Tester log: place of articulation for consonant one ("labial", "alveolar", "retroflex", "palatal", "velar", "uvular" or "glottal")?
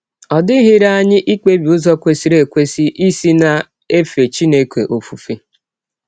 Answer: alveolar